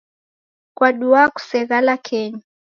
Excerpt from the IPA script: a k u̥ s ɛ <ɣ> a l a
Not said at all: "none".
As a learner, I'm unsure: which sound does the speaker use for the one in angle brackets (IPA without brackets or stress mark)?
ɣ